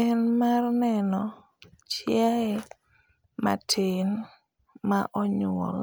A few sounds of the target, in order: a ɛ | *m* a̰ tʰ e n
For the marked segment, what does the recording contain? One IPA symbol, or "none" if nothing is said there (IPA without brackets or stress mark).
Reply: m